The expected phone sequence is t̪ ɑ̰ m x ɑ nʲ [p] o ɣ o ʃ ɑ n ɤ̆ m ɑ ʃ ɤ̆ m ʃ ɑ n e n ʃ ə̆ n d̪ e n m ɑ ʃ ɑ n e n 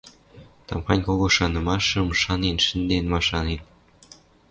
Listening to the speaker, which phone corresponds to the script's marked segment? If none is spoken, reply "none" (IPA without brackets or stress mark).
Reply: k